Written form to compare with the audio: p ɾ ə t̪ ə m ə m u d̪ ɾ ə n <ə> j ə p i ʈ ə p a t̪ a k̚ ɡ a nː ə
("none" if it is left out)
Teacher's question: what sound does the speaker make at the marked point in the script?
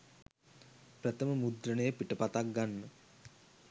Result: ə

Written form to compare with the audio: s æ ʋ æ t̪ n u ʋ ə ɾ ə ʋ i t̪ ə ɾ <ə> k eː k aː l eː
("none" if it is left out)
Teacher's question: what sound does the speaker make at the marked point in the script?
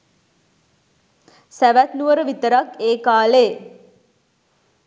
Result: a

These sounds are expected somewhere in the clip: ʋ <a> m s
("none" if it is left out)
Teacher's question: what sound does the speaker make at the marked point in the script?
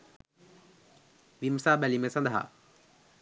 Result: i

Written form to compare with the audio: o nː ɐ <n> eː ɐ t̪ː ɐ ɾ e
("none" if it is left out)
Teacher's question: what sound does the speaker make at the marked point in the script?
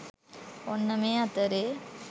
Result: m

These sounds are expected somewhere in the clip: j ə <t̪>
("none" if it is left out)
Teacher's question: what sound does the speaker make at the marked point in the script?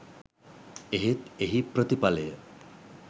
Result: none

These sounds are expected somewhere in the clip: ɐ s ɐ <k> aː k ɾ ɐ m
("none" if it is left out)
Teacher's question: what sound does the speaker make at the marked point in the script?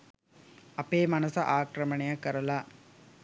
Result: ʔ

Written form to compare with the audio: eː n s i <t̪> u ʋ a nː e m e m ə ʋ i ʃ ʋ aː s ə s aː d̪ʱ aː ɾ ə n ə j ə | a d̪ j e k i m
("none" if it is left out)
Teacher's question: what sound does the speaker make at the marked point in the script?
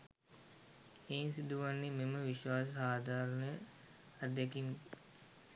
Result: d̪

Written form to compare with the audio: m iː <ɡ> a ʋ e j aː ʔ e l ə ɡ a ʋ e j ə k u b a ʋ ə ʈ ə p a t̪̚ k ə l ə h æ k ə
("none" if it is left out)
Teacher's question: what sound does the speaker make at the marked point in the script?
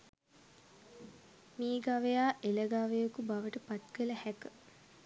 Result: ɡ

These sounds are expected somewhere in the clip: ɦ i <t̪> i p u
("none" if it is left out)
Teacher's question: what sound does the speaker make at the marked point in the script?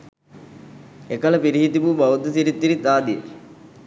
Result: t̪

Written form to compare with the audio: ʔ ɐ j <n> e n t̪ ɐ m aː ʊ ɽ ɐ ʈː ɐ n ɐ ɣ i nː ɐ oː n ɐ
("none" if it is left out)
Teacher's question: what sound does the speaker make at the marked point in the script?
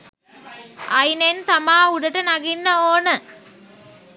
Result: n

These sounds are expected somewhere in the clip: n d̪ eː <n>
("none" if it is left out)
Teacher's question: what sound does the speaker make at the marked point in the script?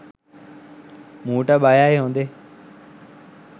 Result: none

